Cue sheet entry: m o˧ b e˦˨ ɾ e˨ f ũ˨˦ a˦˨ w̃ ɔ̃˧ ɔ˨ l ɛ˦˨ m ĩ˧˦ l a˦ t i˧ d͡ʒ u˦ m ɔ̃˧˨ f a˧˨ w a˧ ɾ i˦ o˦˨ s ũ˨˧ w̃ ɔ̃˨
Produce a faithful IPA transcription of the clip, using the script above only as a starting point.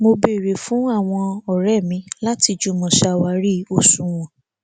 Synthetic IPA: m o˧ b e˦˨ ɾ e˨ f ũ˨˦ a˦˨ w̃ ɔ̃˧ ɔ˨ ɾ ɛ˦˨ m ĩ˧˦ l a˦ t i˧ d͡ʒ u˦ m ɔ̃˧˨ ʃ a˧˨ w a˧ ɾ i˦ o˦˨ s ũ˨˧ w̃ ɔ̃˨